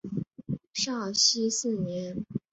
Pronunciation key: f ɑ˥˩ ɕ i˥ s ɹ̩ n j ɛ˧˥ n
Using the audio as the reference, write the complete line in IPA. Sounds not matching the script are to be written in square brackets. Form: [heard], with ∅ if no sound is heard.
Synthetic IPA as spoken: [ʂ] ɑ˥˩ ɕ i˥ s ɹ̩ n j ɛ˧˥ n